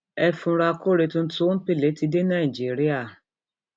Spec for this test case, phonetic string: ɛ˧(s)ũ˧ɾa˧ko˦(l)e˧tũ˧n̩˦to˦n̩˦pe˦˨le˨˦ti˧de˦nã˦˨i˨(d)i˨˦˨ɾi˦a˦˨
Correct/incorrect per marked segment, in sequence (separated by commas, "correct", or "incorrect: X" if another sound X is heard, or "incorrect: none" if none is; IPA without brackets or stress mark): incorrect: f, incorrect: ɾ, incorrect: d͡ʒ